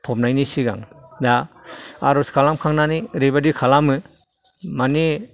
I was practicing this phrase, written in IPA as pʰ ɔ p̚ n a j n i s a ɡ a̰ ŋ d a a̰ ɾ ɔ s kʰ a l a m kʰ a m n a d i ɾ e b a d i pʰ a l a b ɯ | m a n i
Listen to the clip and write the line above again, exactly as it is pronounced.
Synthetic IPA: pʰ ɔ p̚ n a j n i s i ɡ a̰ ŋ d a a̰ ɾ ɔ s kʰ a l a m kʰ a ŋ n a n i ɾ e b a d i kʰ a l a m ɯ | m a n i